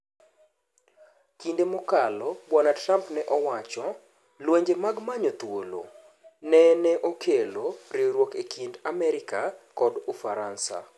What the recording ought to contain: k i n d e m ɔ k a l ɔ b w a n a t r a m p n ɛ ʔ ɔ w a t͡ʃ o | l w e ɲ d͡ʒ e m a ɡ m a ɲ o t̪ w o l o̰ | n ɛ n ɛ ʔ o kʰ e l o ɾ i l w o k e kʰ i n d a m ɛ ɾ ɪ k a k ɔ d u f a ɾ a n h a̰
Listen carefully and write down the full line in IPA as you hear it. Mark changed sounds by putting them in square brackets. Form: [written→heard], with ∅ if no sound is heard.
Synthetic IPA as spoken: k i n d e m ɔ k a l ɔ b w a n a t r a m p n ɛ ʔ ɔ w a t͡ʃ [o→ɔ] | l w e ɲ d͡ʒ e m a ɡ m a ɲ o t̪ w o l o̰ | n ɛ n ɛ ʔ o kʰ e l o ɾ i [l→ɾ] w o k e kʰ i n d a m ɛ ɾ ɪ k a k ɔ d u f a ɾ a n [h→s] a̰